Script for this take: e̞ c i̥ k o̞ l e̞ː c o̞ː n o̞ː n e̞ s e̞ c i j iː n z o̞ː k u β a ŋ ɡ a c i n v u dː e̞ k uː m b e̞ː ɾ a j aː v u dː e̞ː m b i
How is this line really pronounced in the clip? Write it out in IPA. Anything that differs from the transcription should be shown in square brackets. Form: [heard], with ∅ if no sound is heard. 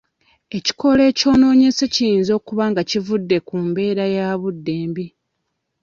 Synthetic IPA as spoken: e̞ c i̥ k o̞ l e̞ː c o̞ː n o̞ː [ɲ] e̞ s e̞ c i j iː n z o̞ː k u β a ŋ ɡ a c i [∅] v u dː e̞ k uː m b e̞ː ɾ a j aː [β] u dː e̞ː m b i